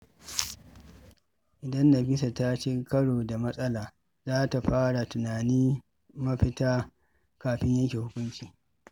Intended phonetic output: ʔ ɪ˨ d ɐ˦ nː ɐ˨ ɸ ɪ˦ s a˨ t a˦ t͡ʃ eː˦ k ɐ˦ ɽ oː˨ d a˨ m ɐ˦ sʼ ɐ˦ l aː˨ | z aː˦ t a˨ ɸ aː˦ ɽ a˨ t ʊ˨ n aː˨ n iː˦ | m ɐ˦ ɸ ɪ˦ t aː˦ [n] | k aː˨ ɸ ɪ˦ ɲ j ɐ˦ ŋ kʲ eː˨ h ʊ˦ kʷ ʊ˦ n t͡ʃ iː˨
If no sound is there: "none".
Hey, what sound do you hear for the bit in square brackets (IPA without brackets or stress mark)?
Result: none